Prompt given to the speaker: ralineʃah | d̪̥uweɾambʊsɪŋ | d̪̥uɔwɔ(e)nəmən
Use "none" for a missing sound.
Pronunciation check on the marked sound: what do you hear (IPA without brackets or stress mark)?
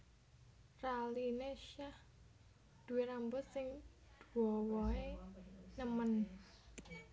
e